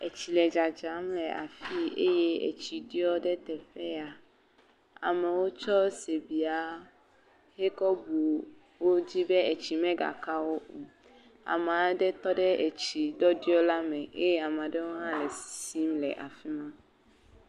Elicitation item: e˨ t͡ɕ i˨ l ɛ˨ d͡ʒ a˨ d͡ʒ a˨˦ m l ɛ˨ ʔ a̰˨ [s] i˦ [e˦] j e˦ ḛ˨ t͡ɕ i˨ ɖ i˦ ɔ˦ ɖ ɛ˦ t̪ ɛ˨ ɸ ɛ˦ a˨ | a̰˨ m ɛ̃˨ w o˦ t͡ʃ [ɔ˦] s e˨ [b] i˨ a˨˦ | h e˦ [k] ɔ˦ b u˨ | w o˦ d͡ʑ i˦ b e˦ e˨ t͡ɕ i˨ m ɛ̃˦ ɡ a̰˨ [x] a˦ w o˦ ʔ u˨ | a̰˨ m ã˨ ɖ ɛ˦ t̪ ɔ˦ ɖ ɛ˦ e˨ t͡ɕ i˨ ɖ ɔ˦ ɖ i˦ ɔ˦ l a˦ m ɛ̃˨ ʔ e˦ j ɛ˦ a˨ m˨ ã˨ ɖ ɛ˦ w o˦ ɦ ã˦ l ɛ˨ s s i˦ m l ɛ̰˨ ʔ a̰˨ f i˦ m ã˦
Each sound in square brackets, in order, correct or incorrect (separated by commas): incorrect, correct, correct, correct, correct, incorrect